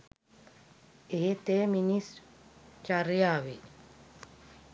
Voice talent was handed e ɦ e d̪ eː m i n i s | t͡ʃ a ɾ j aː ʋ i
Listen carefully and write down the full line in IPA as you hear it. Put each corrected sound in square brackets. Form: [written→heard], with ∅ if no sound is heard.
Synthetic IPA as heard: e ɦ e [d̪→t̪] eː m i n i s | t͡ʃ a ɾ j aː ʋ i